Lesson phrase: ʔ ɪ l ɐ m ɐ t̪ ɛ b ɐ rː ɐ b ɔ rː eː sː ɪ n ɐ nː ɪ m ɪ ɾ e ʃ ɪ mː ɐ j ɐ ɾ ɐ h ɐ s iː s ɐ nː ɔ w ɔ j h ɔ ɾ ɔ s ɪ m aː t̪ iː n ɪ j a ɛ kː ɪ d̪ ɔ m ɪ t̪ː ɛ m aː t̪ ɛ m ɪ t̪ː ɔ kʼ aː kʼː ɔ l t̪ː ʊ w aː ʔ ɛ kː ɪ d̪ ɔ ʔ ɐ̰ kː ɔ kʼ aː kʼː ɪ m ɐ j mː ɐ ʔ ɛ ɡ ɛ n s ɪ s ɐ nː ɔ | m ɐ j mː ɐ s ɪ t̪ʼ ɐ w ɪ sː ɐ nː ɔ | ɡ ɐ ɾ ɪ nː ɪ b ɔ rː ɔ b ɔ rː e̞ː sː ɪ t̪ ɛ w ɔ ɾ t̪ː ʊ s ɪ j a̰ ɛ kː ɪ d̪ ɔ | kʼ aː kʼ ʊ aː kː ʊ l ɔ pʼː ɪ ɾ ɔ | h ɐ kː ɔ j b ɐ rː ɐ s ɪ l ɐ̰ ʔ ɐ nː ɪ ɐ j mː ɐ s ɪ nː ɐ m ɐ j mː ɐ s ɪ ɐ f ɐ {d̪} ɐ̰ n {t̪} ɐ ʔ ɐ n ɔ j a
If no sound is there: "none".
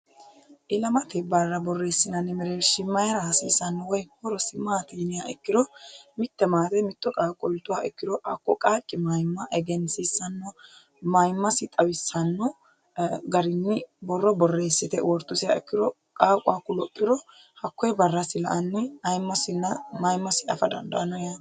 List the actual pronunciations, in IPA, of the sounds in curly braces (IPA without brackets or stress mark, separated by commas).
d̪, d̪